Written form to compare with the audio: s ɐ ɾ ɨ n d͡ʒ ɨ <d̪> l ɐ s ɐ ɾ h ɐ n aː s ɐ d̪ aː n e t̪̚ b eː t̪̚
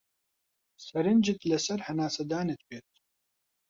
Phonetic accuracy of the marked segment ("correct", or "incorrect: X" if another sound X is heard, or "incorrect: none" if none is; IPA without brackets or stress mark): incorrect: t̪